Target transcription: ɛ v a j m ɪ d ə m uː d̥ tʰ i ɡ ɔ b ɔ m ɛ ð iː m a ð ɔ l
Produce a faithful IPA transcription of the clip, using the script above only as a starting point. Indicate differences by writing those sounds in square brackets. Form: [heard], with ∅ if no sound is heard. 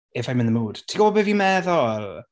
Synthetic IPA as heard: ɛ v a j m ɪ [n] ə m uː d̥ tʰ i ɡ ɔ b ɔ [b] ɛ [v] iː m [ɛ] ð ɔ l